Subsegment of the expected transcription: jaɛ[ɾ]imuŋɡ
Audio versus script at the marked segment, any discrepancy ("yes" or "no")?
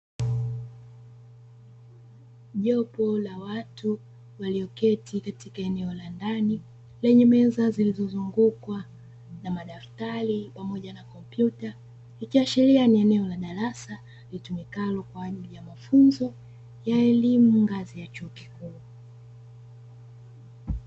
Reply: yes